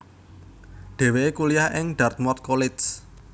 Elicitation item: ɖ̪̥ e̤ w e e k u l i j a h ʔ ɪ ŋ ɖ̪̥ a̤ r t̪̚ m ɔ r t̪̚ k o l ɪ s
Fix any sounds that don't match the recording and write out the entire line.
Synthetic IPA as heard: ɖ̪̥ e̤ w e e k u l i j a h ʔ ɪ ŋ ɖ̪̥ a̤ r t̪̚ m ɔ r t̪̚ k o l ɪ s